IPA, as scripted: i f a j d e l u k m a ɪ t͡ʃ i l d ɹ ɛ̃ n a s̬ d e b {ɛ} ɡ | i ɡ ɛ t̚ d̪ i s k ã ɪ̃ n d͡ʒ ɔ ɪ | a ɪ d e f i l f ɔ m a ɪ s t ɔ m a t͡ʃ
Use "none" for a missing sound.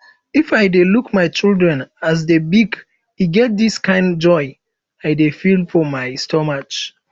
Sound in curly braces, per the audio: i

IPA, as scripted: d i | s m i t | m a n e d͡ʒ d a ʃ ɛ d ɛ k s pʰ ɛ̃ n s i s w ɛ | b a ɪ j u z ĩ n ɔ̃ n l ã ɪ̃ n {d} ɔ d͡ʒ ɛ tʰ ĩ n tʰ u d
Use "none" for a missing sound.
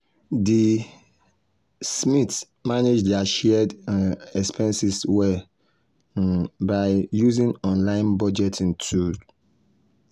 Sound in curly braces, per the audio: b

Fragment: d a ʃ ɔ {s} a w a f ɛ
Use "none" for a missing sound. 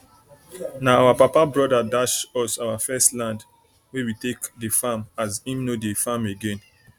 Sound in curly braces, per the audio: s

